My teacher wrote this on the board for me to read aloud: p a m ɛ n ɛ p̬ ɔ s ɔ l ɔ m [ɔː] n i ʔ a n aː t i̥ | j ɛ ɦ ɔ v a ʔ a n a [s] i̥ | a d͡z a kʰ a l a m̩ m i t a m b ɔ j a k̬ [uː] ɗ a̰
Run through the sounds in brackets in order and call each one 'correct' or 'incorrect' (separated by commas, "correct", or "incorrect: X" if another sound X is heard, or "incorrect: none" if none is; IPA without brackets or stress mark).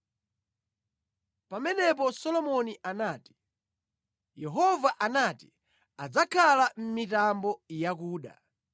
incorrect: ɔ, incorrect: t, correct